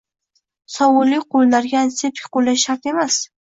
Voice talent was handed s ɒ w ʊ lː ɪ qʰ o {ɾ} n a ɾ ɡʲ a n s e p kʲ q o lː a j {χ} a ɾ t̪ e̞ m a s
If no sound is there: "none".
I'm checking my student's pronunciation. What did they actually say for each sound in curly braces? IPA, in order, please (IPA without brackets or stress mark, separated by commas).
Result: l, ʃ